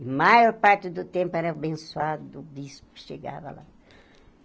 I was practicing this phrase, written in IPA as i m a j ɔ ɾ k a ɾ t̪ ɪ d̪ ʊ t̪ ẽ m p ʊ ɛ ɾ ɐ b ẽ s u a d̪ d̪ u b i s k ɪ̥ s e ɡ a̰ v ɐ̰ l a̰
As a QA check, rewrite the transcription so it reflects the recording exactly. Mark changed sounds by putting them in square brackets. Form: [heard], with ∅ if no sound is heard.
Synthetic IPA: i m a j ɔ ɾ [p] a ɾ t̪ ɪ d̪ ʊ t̪ ẽ m p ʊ ɛ ɾ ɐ b ẽ s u a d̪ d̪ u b i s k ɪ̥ [ʃ] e ɡ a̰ v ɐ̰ l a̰